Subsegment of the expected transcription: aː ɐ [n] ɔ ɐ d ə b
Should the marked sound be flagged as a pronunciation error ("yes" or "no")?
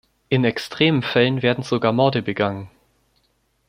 yes